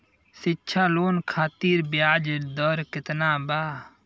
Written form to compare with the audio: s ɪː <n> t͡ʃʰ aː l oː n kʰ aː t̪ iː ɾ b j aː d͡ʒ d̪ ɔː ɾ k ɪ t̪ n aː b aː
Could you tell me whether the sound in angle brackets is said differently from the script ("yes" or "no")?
yes